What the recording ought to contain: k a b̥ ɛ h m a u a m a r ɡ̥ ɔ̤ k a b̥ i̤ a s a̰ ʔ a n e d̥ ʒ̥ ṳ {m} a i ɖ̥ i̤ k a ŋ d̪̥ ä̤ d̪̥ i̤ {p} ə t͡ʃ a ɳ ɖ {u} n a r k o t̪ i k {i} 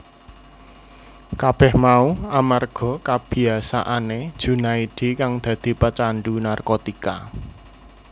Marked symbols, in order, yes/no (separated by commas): no, yes, yes, no